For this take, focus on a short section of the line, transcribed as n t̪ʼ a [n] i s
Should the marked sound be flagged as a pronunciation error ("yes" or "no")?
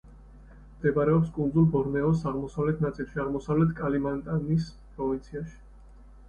no